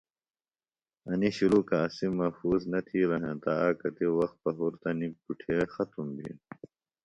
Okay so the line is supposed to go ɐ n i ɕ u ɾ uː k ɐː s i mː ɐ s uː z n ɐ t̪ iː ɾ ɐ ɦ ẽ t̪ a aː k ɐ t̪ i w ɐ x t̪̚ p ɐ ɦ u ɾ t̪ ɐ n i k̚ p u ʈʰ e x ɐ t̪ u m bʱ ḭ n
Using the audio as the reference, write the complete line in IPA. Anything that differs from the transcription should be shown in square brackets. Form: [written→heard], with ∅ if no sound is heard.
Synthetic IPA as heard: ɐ n i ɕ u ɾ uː k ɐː s i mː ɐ [s→f] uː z n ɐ [t̪→t̪ʰ] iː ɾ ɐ ɦ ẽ t̪ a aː k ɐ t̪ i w ɐ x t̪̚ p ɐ ɦ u ɾ t̪ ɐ n i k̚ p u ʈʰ e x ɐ t̪ u m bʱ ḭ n